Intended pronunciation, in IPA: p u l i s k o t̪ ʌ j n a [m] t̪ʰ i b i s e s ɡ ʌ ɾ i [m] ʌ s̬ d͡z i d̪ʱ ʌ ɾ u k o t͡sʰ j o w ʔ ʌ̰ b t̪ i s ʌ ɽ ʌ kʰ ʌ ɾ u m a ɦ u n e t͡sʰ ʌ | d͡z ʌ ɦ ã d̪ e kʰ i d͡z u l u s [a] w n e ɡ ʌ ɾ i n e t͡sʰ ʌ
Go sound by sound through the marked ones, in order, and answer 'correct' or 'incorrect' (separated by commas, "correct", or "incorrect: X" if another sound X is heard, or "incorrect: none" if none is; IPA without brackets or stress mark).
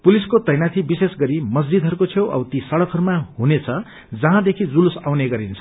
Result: incorrect: none, correct, correct